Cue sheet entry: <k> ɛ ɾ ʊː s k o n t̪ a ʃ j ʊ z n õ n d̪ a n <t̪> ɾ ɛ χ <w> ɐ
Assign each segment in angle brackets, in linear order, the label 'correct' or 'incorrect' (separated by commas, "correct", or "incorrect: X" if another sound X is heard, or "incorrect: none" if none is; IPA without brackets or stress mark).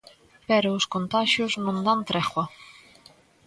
incorrect: p, correct, correct